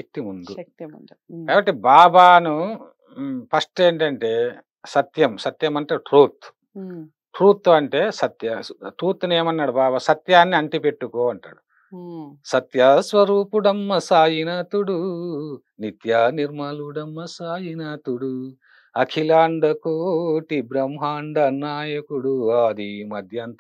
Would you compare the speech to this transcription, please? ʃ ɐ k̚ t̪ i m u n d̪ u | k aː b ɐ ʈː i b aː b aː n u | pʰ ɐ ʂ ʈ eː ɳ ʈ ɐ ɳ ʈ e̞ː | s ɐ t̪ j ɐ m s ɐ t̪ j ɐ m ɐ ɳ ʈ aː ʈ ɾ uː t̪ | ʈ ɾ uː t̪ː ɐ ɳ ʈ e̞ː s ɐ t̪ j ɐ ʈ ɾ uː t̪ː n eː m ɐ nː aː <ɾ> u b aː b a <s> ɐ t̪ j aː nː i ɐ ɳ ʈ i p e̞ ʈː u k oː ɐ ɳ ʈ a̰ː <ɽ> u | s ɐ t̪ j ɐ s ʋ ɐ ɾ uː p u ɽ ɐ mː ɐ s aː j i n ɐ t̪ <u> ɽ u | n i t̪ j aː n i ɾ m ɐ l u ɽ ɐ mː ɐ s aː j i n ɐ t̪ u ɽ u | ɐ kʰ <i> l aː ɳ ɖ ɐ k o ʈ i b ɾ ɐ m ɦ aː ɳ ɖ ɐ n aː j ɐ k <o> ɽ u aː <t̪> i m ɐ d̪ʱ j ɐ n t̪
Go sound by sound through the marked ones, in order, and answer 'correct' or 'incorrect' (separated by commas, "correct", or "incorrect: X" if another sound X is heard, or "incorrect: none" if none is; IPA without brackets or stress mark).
incorrect: ɽ, correct, correct, correct, correct, incorrect: u, incorrect: d̪